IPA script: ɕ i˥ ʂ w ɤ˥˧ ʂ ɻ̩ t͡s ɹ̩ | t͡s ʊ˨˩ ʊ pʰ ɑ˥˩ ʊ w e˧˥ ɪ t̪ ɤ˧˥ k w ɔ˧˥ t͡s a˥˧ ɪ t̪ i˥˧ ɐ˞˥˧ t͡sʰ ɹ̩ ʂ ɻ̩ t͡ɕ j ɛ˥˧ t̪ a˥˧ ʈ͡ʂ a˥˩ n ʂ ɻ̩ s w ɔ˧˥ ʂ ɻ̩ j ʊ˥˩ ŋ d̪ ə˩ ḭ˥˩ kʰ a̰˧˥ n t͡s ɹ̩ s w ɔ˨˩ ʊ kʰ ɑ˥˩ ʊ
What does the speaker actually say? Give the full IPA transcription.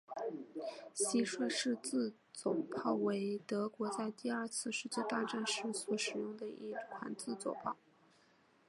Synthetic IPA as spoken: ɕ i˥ ʂ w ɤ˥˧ ʂ ɻ̩ t͡s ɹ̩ | t͡s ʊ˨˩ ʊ pʰ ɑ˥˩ ʊ w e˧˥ ɪ t̪ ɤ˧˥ k w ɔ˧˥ t͡s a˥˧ ɪ t̪ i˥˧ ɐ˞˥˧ t͡sʰ ɹ̩ ʂ ɻ̩ t͡ɕ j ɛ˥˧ t̪ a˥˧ ʈ͡ʂ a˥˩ n ʂ ɻ̩ s w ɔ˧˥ ʂ ɻ̩ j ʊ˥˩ ŋ d̪ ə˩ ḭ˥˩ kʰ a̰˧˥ n t͡s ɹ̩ t͡s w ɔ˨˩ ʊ pʰ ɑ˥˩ ʊ

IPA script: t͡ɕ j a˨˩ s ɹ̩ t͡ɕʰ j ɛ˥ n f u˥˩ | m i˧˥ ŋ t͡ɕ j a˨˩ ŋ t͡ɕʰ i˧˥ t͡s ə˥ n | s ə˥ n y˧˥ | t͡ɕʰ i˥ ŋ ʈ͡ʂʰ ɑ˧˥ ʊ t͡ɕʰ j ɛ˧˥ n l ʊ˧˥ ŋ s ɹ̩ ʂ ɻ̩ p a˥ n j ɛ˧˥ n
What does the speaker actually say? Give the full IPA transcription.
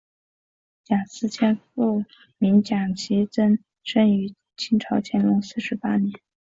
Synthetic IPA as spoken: t͡ɕ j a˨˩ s ɹ̩ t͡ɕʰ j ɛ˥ n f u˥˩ | m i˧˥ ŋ t͡ɕ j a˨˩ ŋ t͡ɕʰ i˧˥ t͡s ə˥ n | ʂ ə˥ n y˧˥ | t͡ɕʰ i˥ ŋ ʈ͡ʂʰ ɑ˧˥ ʊ t͡ɕʰ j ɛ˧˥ n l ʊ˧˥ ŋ s ɹ̩ ʂ ɻ̩ p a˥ n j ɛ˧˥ n

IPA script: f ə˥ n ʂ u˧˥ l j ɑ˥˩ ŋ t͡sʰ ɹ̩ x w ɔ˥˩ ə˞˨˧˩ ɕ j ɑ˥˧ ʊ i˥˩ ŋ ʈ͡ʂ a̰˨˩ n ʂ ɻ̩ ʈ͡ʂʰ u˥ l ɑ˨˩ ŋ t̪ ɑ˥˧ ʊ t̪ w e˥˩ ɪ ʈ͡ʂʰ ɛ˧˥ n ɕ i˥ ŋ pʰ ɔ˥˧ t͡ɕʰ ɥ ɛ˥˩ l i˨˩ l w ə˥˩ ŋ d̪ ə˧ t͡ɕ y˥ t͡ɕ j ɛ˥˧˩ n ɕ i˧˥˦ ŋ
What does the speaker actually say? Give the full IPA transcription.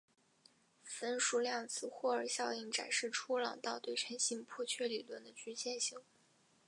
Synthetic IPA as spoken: f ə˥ n ʂ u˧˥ l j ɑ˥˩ ŋ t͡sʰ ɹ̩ x w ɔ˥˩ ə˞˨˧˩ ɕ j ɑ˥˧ ʊ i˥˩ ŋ ʈ͡ʂ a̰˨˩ n ʂ ɻ̩ ʈ͡ʂʰ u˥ l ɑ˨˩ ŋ t̪ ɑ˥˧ ʊ t̪ w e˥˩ ɪ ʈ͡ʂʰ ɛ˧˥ n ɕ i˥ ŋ pʰ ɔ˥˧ t͡ɕʰ ɥ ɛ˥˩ l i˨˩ l w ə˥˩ n d̪ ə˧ t͡ɕ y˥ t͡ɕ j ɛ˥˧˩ n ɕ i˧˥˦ ŋ

